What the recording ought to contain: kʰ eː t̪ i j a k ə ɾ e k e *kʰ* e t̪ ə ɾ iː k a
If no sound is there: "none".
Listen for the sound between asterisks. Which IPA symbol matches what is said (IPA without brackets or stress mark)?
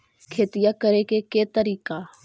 k